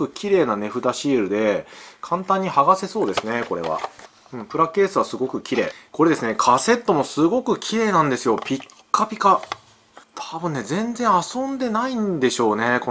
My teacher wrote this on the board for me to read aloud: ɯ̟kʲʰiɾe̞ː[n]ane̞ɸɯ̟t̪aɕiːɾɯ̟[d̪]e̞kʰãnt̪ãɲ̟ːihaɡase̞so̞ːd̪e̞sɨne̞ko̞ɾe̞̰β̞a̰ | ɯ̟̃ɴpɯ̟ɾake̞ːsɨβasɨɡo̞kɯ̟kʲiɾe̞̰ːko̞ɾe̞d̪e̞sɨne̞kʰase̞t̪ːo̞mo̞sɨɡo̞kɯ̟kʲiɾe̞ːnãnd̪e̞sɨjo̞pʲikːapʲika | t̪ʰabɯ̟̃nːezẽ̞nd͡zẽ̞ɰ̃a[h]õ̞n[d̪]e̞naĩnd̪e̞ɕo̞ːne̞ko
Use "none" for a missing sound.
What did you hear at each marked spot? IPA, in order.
n, d̪, s, d̪

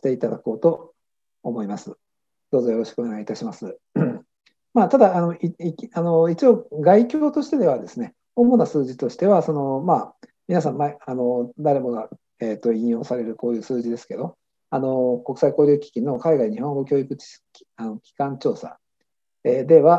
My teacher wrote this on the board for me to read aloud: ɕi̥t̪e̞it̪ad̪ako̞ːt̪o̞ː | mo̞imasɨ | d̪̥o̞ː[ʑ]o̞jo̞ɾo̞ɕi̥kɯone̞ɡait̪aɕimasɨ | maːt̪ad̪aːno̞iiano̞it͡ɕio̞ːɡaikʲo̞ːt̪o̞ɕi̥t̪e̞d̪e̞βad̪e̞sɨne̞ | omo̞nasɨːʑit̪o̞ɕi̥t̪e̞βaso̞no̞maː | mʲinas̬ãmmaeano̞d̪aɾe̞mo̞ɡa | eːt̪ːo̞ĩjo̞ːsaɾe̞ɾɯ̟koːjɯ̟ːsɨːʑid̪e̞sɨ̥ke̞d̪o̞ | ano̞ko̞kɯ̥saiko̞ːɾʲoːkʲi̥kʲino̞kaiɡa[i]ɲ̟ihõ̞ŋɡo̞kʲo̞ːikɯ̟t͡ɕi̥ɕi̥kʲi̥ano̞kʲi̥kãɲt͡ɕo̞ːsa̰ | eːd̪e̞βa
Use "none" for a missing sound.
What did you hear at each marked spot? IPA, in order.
z, i

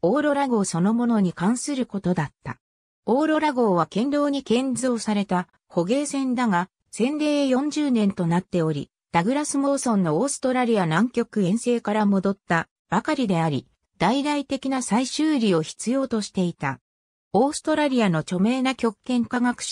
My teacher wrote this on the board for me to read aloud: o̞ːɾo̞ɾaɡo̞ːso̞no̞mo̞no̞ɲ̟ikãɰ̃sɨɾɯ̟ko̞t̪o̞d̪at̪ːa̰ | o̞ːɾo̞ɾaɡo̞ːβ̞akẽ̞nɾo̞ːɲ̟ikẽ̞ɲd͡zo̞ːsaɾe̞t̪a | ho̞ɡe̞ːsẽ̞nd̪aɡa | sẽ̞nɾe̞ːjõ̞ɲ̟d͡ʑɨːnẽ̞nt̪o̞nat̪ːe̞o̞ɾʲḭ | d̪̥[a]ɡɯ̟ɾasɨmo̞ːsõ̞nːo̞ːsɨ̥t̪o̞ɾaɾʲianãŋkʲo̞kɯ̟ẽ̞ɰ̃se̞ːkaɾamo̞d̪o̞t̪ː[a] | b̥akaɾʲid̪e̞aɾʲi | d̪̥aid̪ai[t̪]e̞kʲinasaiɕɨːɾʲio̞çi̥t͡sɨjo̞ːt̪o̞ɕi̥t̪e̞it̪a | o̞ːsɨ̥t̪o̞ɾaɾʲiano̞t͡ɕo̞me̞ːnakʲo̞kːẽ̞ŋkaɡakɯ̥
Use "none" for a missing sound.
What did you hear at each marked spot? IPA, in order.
a, a, t̪

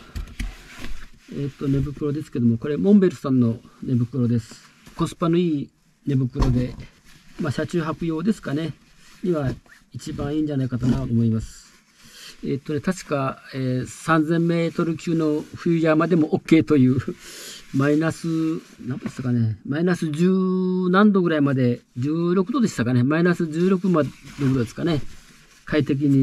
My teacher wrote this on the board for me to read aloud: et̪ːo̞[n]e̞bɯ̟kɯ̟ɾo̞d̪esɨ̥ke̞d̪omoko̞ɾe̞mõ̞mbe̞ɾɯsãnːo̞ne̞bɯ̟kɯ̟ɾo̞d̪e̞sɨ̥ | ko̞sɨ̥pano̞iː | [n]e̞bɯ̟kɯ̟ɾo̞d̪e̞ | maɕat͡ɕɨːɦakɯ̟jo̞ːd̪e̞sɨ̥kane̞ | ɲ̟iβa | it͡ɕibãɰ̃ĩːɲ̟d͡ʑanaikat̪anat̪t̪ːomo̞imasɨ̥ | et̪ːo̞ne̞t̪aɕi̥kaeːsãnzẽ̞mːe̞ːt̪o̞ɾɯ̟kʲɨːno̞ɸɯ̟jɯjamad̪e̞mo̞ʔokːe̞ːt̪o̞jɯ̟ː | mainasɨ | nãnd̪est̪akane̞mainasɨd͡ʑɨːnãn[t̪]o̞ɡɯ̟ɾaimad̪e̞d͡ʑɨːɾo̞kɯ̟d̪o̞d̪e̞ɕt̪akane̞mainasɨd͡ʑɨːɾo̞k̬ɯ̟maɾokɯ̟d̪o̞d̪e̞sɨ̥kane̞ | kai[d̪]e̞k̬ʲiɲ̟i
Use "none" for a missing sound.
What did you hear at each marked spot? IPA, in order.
n, n, d̪, t̪

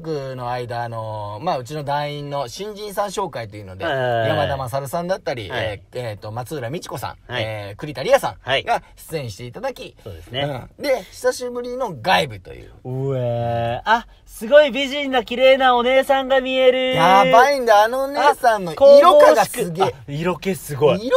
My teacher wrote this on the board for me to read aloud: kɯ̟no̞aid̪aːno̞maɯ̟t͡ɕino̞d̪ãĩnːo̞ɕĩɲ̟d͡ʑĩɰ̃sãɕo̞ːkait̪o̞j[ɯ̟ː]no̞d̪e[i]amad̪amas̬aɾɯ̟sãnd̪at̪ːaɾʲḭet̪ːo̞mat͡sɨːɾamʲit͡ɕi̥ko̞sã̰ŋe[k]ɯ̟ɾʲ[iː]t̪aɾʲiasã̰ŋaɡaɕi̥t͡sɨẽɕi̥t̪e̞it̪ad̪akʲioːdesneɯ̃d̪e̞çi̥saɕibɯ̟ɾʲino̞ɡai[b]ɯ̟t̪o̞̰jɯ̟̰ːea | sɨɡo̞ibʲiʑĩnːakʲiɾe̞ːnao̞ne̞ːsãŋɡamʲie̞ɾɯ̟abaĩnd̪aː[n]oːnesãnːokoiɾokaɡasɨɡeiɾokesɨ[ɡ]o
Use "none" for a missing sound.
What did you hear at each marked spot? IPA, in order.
ɯ̟, j, k, i, b, n, ɡ

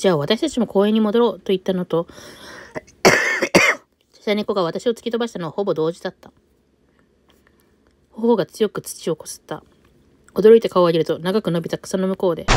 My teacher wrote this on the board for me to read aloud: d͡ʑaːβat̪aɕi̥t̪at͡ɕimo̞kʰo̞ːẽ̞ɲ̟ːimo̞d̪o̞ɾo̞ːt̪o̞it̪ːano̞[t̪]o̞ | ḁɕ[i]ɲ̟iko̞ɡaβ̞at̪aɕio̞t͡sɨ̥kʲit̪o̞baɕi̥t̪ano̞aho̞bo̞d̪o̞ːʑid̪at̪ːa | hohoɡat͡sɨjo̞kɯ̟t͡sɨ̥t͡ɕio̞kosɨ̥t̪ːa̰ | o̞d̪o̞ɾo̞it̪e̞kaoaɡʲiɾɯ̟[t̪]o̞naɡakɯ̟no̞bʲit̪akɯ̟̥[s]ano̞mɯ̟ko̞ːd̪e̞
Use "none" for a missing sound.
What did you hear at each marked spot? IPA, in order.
t̪, a, t̪, s

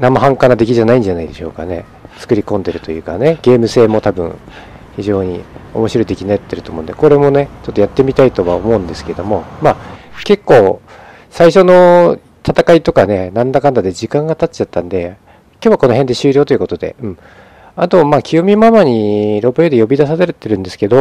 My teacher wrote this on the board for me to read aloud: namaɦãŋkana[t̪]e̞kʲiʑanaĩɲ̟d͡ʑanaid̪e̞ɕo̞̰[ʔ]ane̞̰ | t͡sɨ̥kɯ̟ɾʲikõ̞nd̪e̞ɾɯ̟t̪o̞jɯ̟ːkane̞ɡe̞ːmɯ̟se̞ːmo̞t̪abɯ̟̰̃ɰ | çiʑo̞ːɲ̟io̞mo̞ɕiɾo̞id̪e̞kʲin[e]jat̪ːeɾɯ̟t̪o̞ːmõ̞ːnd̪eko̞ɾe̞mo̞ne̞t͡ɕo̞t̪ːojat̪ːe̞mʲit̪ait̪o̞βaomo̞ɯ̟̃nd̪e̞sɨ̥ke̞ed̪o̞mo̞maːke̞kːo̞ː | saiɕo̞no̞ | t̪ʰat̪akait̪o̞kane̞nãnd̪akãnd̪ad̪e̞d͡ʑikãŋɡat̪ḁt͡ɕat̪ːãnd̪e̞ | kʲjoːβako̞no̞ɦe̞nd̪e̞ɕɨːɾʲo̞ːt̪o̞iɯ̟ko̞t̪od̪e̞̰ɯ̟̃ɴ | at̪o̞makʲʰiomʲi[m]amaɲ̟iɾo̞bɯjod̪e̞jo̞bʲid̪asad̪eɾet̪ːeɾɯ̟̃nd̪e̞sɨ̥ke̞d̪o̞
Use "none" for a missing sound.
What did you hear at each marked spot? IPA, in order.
d̪, k, a, m

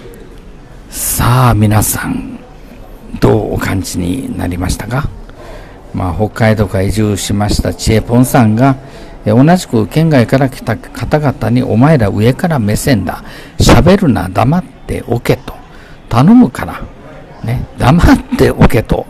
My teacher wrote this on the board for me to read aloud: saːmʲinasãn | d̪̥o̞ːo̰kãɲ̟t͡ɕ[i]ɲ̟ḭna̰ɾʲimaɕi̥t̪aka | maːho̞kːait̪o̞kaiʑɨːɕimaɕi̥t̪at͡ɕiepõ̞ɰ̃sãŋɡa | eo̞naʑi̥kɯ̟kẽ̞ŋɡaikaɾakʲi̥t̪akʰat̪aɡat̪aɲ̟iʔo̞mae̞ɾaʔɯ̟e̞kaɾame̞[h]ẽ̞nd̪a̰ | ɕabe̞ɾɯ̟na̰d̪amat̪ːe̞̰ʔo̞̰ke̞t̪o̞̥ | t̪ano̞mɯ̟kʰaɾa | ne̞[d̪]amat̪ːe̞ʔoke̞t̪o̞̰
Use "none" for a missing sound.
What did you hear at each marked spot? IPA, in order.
i, s, d̪

